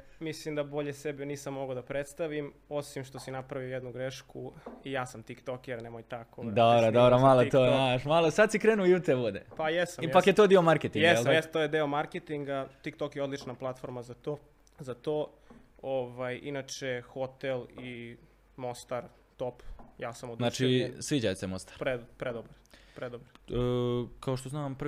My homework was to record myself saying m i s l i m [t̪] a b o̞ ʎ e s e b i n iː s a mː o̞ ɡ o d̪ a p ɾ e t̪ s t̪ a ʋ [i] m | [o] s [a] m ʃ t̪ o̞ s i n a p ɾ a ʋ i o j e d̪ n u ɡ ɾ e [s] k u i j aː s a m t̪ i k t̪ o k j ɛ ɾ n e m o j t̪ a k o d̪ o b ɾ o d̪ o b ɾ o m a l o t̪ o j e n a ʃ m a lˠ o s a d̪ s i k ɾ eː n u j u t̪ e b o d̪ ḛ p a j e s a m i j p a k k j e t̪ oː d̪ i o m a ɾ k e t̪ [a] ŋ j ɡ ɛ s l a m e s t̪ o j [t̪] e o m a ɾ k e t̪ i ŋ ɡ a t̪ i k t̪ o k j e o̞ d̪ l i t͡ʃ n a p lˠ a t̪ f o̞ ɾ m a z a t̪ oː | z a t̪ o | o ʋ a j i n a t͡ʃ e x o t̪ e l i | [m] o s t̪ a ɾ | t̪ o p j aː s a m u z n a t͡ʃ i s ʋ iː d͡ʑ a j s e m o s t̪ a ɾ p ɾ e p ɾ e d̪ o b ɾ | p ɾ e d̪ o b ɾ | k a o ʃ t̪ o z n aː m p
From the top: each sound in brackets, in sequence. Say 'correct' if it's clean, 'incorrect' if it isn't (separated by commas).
incorrect, correct, correct, incorrect, incorrect, incorrect, incorrect, correct